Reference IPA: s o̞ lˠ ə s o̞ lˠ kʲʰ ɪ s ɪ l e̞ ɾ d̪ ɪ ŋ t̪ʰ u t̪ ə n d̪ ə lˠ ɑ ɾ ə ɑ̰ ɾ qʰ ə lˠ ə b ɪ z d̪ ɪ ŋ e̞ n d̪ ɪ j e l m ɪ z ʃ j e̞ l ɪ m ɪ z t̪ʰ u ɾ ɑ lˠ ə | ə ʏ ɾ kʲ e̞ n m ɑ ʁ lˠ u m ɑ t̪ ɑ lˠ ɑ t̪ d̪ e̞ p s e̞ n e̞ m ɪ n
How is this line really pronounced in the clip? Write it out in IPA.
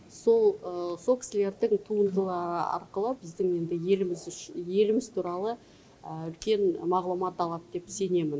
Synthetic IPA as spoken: s o̞ lˠ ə s o̞ lˠ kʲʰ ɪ s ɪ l e̞ ɾ d̪ ɪ ŋ t̪ʰ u ə n d̪ ə lˠ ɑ ɾ ə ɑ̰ ɾ q ə lˠ ə b ɪ z d̪ ɪ ŋ e̞ n d̪ ɪ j e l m ɪ z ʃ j e̞ l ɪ m ɪ z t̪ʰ u ɾ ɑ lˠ ə | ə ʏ l kʲ e̞ n m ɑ ʁ lˠ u m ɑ t̪ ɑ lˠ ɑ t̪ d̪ e̞ p s e̞ n e̞ m ɪ n